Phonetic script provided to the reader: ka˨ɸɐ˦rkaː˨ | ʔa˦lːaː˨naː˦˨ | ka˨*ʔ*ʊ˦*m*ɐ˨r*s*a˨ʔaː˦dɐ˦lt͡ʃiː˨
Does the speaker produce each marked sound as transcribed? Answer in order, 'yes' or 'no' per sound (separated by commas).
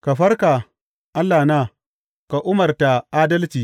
yes, yes, no